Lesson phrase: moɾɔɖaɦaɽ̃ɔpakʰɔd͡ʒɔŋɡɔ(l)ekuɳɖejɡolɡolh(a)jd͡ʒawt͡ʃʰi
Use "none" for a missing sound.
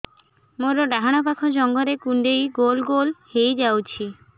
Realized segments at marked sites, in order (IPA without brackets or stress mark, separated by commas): ɾ, e